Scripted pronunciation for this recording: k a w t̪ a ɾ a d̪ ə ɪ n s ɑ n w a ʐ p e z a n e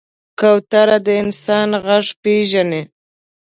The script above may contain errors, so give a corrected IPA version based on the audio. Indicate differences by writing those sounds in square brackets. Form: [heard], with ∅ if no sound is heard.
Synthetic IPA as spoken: k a w t̪ a ɾ a d̪ ə ɪ n s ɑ n [ɣ] a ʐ p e [ʒ] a n e

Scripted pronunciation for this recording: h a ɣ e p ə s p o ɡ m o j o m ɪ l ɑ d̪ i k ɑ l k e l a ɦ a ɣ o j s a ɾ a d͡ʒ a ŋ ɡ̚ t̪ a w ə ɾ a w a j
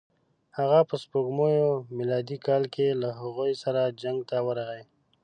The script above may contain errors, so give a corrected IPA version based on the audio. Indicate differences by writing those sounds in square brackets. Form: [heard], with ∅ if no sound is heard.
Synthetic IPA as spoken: h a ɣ [a] p ə s p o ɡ m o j o m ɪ l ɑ d̪ i k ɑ l k e l a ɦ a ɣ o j s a ɾ a d͡ʒ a ŋ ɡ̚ t̪ a w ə ɾ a [ɣ] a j

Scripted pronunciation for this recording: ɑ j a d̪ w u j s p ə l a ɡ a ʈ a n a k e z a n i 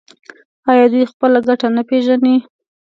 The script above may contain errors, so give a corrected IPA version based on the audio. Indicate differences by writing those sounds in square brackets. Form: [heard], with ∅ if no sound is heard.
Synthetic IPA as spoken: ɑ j [ɑ] d̪ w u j [x] p ə l a ɡ a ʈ a n a [p] e [ʒ] a n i

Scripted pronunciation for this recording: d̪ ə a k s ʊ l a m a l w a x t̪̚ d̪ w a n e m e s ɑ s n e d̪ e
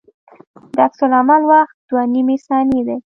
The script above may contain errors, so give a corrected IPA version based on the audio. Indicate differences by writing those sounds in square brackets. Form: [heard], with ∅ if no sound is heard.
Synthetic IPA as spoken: d̪ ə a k s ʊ l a m a l w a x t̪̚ d̪ w a n [i] m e s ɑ [∅] n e d̪ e

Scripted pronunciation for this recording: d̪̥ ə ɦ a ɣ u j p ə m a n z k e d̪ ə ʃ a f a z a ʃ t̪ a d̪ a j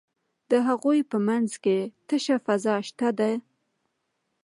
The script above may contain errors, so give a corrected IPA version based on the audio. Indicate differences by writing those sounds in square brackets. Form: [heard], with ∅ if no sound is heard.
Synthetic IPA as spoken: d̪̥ ə ɦ a ɣ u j p ə m a n z k e [t̪] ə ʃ a f a z [ɑ] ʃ t̪ a d̪ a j

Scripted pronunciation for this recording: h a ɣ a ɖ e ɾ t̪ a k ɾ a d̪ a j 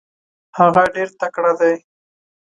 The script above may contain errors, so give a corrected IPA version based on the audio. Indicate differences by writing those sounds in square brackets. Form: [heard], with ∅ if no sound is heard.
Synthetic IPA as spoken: h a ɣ a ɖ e ɾ t̪ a k [ɽ] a d̪ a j

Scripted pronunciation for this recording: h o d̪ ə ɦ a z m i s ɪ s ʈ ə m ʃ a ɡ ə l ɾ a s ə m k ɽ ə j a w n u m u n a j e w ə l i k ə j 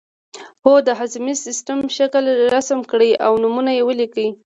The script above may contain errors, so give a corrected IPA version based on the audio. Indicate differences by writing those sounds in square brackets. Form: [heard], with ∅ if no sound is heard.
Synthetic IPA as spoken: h o d̪ ə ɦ a z m i s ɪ s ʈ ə m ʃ a [k] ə l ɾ a s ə m k ɽ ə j a w n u m u n a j e w ə l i k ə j

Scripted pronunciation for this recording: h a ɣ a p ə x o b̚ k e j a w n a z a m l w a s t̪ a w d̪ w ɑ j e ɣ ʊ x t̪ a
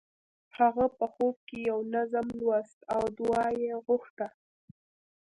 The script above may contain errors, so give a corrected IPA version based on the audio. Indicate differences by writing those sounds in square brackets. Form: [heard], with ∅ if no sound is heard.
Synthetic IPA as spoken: h a ɣ a p ə x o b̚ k e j a w n a z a m l w a s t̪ a w d̪ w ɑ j e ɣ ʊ x t̪ a

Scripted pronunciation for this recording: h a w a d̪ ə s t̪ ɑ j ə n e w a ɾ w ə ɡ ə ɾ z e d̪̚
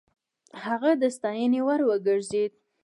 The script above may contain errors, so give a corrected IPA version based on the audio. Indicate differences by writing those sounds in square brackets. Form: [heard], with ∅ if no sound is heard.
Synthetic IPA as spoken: h a [ɣ] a d̪ ə s t̪ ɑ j ə n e w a ɾ w ə ɡ ə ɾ z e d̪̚

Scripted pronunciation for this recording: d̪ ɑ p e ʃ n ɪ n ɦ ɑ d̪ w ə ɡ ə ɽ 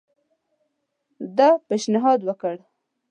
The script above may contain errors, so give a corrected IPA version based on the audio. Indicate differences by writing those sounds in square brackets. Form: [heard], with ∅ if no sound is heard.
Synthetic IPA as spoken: d̪ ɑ p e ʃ n ɪ [∅] ɦ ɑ d̪ w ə [k] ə ɽ

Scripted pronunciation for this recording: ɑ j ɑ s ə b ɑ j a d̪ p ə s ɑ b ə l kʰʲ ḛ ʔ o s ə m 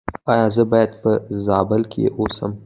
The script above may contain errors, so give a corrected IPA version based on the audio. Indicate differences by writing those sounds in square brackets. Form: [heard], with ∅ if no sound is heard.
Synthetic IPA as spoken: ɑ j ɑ [z] ə b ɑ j a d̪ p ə [z] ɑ b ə l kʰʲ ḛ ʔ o s ə m

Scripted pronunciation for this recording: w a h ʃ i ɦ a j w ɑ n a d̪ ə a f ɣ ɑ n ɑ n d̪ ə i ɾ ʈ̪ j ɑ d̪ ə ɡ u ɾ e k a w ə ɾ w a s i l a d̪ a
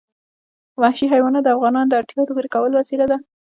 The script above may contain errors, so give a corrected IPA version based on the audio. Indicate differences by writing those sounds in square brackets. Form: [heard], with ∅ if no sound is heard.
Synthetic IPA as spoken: w a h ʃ i ɦ a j w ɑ n a d̪ ə a f ɣ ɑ n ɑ n d̪ ə [a] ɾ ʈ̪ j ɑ d̪ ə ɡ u ɾ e k a w ə [l] w a s i l a d̪ a

